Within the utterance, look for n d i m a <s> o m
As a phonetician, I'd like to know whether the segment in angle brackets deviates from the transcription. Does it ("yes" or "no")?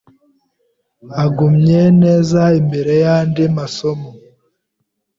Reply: no